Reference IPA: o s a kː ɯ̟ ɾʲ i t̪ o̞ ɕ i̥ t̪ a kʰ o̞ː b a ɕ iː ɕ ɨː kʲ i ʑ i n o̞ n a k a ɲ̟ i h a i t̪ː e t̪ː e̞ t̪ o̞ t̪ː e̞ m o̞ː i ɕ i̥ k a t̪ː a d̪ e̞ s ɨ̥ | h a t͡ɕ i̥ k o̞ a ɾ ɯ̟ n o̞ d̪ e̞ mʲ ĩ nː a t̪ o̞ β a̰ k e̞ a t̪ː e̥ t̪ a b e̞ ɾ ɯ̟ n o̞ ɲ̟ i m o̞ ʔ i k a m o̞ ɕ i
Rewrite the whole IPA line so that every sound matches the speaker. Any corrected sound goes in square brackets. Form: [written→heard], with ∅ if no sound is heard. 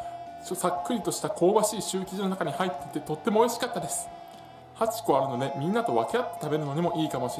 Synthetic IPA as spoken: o s a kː ɯ̟ ɾʲ i t̪ o̞ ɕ i̥ t̪ a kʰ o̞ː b a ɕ iː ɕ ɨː kʲ i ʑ i n o̞ n a k a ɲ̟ i h a i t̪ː e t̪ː e̞ t̪ o̞ t̪ː e̞ m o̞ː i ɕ i̥ k a t̪ː a d̪ e̞ s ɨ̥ | h a t͡ɕ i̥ k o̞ a ɾ ɯ̟ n o̞ d̪ e̞ mʲ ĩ nː a t̪ o̞ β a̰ k e̞ a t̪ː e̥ t̪ a b e̞ ɾ ɯ̟ n o̞ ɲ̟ i m o̞ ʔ [i→iː] k a m o̞ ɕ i